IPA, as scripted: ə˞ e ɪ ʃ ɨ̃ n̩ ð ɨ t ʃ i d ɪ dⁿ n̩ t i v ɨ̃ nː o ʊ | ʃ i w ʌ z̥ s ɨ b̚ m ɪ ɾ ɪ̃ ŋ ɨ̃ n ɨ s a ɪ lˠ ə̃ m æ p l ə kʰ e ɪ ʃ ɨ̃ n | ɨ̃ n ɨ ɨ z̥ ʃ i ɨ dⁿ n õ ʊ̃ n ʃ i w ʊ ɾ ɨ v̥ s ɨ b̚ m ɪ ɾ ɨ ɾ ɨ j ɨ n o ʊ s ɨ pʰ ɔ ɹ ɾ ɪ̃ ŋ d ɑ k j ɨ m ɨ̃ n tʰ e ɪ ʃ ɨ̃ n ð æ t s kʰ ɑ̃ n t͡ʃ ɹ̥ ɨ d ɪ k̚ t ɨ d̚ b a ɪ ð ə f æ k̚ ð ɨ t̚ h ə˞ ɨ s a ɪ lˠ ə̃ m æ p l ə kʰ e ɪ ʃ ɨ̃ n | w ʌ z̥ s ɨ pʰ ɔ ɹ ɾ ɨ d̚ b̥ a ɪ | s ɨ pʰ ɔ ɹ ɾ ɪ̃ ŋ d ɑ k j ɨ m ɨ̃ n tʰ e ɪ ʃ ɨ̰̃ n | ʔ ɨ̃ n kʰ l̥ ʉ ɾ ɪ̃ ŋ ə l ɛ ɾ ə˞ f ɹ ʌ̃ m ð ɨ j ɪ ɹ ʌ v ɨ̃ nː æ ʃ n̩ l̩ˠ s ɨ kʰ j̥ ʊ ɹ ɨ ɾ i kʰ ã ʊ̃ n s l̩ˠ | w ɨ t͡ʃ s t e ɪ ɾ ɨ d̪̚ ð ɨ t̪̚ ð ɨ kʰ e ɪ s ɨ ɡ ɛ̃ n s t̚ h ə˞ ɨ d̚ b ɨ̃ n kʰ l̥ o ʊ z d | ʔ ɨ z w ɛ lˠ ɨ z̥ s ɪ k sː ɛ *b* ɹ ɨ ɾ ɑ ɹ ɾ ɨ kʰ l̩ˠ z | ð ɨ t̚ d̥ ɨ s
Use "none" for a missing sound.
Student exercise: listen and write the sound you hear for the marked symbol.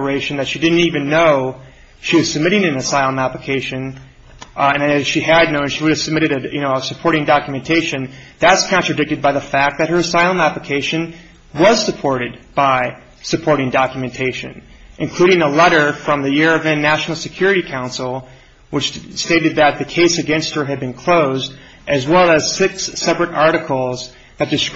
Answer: p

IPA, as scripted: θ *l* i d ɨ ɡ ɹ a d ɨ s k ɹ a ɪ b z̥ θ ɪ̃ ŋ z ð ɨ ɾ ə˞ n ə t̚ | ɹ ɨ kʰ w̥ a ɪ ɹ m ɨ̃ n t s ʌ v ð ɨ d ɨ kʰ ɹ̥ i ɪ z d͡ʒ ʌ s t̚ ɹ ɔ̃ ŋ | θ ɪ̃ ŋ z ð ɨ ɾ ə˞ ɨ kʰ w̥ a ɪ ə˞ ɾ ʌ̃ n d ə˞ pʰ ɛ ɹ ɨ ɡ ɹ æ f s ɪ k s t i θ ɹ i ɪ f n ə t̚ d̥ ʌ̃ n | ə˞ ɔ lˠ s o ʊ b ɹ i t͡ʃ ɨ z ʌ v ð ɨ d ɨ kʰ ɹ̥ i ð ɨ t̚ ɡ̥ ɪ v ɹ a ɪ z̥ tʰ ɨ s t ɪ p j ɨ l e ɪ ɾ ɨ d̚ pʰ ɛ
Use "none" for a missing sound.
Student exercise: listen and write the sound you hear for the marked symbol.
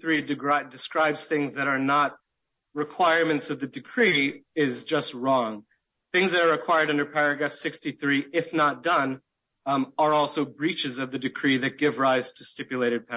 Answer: ɹ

